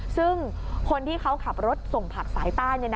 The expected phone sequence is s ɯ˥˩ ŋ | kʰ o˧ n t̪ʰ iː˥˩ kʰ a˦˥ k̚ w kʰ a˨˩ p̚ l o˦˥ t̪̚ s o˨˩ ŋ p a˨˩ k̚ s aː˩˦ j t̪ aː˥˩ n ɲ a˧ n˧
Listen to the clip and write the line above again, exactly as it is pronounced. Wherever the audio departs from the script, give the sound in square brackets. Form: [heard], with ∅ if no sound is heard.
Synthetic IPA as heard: s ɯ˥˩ ŋ | kʰ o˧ n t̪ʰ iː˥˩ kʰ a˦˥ [∅] w kʰ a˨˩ p̚ [ɾ] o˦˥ t̪̚ s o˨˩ ŋ [pʰ] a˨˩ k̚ s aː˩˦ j t̪ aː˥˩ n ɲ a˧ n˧